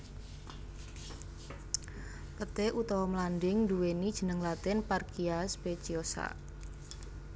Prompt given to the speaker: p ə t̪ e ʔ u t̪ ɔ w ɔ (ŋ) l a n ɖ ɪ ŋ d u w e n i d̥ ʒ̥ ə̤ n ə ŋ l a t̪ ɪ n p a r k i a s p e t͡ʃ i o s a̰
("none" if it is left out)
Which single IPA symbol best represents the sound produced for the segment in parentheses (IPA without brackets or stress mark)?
m